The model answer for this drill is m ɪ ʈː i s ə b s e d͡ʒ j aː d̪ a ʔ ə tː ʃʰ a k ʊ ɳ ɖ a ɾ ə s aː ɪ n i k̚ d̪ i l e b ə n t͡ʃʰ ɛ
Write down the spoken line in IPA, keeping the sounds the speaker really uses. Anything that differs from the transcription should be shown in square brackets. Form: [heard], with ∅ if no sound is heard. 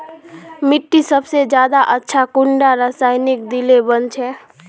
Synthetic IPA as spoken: m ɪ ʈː i s ə b s e d͡ʒ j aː d̪ a ʔ ə tː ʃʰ a k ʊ ɳ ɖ a ɾ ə s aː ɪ n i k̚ d̪ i l e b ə n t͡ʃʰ ɛ